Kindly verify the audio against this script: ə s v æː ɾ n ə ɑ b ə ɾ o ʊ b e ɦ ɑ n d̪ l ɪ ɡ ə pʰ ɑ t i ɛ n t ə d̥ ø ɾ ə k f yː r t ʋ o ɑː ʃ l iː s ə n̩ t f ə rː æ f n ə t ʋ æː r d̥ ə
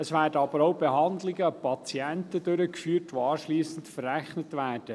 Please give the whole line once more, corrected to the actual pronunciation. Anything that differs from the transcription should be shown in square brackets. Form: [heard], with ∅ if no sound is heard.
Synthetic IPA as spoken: ə s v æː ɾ [d] ə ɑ b ə ɾ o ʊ b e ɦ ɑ n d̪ l ɪ ɡ ə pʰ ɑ [t͡s] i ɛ n t ə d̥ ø ɾ ə k f yː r t ʋ o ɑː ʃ l iː s ə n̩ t f ə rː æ [χ] n ə t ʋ æː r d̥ ə